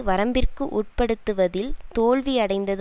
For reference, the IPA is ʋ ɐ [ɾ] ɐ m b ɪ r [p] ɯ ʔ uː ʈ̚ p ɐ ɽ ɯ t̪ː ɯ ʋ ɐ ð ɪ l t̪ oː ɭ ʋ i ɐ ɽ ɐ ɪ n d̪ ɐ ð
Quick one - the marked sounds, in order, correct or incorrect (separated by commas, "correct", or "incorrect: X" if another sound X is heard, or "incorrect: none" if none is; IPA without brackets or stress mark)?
correct, incorrect: k